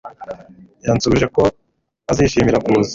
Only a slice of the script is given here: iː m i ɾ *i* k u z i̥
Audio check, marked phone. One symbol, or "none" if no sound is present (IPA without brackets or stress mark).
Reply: a